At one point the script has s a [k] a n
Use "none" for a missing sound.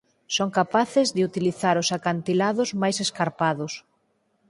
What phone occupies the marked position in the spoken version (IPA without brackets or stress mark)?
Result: k